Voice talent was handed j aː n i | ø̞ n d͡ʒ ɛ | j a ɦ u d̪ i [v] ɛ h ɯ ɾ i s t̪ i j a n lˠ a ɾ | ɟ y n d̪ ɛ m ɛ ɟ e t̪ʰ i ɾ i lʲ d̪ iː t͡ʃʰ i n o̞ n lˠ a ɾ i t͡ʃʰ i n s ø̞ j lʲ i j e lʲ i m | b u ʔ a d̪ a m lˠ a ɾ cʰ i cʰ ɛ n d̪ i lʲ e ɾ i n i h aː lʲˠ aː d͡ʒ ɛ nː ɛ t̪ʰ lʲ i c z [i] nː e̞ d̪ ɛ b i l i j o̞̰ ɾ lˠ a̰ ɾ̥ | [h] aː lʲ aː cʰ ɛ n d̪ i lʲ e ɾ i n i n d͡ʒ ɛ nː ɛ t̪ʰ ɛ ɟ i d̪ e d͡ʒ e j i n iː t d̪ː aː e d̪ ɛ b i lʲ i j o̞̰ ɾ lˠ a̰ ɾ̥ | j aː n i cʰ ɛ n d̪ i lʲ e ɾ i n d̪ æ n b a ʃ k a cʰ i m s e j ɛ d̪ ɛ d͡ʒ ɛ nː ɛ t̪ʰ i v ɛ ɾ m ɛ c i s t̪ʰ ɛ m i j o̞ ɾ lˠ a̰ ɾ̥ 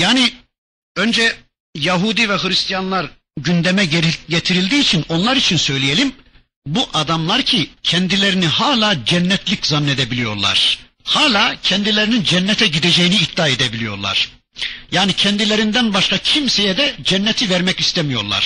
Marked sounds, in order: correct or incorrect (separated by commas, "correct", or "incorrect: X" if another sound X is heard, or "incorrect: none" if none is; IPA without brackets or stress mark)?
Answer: correct, incorrect: a, correct